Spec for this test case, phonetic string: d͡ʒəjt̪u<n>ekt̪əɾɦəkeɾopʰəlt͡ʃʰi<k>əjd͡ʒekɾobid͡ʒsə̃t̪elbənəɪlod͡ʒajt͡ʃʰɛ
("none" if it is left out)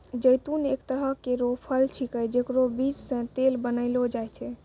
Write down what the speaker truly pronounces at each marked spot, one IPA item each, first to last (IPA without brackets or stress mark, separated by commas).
n, k